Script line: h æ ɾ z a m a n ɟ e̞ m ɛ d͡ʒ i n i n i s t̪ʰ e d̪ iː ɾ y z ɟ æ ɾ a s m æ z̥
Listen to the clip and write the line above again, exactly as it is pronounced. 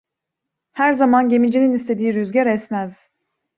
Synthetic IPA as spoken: h æ ɾ z a m a n ɟ e̞ m i d͡ʒ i n i n i s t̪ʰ e d̪ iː ɾ y z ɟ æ ɾ ɛ s m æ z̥